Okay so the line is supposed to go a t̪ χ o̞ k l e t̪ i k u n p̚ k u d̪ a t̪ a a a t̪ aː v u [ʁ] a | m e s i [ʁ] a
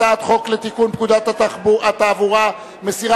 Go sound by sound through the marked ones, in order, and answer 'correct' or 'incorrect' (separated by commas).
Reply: correct, correct